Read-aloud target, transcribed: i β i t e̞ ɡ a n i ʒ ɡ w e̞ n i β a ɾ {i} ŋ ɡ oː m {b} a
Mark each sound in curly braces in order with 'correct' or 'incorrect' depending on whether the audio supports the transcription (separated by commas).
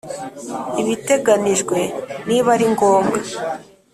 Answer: correct, incorrect